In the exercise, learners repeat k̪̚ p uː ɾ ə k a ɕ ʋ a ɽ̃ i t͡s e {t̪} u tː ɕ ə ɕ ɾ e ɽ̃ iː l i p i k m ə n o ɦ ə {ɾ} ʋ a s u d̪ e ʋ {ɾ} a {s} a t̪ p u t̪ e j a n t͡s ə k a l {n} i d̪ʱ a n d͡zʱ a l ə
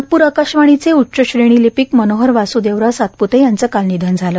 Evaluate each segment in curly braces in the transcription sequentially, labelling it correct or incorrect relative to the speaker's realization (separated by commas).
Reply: incorrect, correct, correct, correct, correct